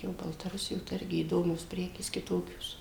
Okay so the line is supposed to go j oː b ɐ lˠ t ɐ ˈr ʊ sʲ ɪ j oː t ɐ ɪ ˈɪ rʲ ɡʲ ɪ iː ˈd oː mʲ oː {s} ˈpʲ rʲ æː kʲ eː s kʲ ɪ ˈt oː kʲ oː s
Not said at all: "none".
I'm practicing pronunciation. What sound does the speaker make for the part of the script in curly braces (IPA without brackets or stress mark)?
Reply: s